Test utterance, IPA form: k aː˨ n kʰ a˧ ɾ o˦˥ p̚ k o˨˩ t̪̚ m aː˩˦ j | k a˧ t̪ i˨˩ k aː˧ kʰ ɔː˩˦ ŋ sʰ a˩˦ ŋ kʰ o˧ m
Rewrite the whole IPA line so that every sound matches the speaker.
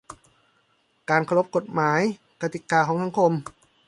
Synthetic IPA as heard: k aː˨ n kʰ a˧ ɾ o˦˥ p̚ k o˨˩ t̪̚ m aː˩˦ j | k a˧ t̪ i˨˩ k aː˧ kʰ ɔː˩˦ ŋ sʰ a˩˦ ŋ kʰ o˧ m